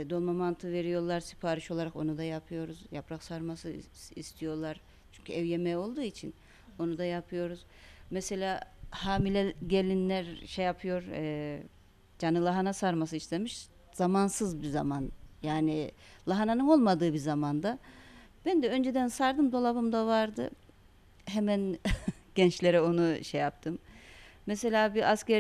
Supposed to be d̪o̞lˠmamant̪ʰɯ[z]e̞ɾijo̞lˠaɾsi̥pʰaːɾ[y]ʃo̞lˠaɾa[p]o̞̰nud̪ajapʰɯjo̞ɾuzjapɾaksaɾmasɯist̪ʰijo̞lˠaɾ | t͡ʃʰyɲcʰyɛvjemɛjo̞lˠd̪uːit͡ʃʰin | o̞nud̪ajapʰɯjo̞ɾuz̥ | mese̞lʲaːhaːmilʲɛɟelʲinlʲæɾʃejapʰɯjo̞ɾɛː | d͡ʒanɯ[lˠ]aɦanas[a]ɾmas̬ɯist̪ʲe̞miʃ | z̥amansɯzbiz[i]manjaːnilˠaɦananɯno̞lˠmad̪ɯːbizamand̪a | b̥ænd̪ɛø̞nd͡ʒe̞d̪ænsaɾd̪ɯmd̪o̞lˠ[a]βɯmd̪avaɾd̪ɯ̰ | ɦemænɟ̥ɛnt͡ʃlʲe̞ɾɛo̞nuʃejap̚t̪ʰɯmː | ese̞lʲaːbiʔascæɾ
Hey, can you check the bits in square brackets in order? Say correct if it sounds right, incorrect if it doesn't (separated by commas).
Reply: incorrect, incorrect, incorrect, correct, correct, incorrect, correct